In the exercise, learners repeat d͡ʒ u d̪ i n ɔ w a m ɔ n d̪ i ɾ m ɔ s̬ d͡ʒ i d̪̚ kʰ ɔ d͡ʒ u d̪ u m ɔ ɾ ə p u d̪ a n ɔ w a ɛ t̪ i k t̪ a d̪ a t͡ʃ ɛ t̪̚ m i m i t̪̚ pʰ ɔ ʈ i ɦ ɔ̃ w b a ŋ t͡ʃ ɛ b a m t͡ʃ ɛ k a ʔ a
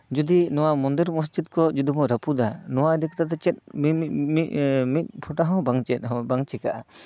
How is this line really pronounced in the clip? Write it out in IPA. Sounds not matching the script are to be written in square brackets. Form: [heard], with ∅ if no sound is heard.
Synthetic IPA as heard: d͡ʒ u d̪ i n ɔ w a m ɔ n d̪ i ɾ m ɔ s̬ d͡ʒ i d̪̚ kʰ ɔ d͡ʒ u d̪ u m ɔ ɾ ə p u d̪ a n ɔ w a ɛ [d̪] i k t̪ a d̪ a t͡ʃ ɛ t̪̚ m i m i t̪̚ pʰ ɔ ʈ [a] ɦ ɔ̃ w b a ŋ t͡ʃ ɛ b a [ŋ] t͡ʃ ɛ k a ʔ a